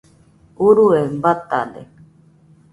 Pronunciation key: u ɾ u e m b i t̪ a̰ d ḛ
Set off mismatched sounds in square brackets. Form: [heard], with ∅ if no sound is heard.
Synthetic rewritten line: u ɾ u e m b [a] t̪ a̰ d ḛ

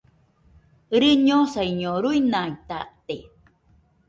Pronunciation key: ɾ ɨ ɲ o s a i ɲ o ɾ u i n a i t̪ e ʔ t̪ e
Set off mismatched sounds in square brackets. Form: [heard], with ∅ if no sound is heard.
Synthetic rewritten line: ɾ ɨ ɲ o s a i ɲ o ɾ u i n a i t̪ [a] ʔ t̪ e

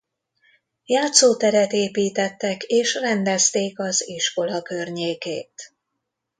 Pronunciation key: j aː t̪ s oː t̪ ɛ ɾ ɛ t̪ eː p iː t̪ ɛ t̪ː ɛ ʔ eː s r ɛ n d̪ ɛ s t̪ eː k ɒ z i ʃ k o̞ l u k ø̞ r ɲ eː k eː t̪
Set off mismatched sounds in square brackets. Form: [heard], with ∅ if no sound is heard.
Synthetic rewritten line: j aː t̪ s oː t̪ ɛ ɾ ɛ t̪ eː p iː t̪ ɛ t̪ː ɛ [k] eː [ʃ] r ɛ n d̪ ɛ s t̪ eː k ɒ z i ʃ k o̞ l [ɒ] k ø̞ r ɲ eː k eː t̪

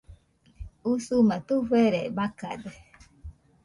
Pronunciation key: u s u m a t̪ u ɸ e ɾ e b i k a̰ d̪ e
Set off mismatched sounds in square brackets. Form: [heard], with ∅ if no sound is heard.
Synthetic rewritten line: u s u m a t̪ u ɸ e ɾ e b [a] k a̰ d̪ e

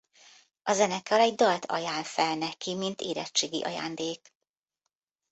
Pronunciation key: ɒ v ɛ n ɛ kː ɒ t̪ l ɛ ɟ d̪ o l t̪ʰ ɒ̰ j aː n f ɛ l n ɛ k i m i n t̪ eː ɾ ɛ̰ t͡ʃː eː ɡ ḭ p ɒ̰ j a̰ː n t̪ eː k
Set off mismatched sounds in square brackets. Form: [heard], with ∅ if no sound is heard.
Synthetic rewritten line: ɒ [z] ɛ n ɛ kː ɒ [∅] l ɛ ɟ d̪ [ɒ] l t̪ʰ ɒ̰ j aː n f ɛ l n ɛ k i m i n t̪ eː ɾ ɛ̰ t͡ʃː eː ɡ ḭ [ʔ] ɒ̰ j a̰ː n [d̪] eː k

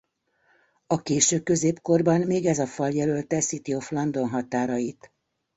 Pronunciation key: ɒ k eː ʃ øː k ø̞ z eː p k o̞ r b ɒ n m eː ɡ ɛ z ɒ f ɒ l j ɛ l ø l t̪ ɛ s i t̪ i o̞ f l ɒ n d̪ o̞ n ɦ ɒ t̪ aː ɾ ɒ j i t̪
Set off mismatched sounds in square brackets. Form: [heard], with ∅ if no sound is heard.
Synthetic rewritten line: ɒ k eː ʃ øː k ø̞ z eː p k o̞ r b ɒ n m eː ɡ ɛ z ɒ f ɒ l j ɛ l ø l t̪ ɛ s i t̪ i o̞ f l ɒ n d̪ o̞ n ɦ ɒ t̪ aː ɾ ɒ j i t̪

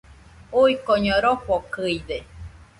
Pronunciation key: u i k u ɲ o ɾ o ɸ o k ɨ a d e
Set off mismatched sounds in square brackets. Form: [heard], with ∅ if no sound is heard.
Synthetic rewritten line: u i k [o] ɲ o ɾ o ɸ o k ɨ [i] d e

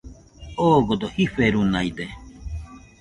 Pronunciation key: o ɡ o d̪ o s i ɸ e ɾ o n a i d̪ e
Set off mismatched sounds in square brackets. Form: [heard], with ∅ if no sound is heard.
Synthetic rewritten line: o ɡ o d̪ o [h] i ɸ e ɾ [u] n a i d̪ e

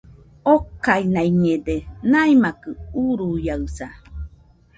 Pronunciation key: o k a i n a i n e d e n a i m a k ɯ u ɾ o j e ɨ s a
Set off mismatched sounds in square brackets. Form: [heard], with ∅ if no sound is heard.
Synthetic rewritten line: o k a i n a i [ɲ] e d e n a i m a k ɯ u ɾ [u] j [a] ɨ s a

